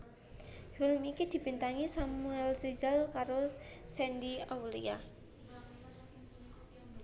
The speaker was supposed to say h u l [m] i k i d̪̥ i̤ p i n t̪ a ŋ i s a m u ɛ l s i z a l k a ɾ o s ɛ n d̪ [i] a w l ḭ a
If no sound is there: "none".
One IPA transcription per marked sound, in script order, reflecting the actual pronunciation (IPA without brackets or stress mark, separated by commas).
m, i